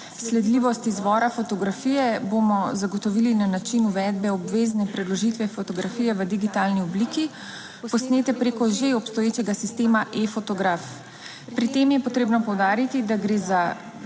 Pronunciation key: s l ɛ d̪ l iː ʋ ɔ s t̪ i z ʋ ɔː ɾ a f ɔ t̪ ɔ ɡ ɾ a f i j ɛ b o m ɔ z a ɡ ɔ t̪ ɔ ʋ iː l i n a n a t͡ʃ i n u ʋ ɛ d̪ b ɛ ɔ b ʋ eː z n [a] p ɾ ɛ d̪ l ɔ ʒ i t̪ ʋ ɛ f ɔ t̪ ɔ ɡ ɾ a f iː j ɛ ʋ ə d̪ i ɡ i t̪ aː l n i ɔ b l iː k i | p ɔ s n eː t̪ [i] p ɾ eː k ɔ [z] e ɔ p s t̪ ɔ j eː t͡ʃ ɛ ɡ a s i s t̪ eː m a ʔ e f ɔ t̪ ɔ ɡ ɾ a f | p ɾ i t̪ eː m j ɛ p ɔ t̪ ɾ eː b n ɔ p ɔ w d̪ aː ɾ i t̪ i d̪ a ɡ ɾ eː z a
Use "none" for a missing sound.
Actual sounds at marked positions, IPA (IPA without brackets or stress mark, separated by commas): ɛ, ɛ, ʒ